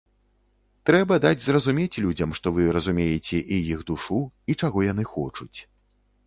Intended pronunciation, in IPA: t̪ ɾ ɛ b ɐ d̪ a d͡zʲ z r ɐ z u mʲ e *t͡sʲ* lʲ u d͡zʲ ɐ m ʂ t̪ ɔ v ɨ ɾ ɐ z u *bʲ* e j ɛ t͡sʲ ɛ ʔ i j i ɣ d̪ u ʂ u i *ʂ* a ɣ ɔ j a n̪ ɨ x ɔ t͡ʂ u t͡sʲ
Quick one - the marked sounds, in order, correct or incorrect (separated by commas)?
correct, incorrect, incorrect